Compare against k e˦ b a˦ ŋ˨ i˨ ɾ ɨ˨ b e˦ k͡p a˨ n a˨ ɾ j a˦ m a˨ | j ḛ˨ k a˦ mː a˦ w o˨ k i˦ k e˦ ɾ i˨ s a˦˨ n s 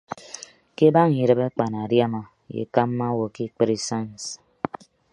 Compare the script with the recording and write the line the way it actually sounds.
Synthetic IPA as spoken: k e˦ b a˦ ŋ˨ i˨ ɾ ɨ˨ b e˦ k͡p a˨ n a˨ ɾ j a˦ m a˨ | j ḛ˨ k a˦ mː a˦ w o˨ k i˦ k͡p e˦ ɾ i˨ s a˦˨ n s